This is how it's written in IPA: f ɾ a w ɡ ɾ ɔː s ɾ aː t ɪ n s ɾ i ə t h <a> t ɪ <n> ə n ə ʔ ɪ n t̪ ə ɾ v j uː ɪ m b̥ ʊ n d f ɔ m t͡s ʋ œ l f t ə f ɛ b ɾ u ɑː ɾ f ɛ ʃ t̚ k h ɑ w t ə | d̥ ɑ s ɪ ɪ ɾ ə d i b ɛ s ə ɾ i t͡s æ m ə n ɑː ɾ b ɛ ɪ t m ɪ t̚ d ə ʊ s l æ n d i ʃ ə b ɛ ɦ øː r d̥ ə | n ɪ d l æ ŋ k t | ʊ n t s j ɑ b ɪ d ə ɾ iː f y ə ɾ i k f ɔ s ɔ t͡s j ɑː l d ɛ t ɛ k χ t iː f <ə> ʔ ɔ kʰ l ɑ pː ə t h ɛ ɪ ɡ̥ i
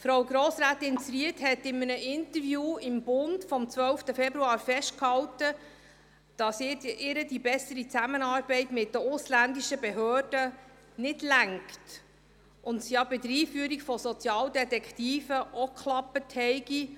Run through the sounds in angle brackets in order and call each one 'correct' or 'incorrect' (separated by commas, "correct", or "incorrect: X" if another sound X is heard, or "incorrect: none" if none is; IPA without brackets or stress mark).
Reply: incorrect: ɛ, incorrect: m, correct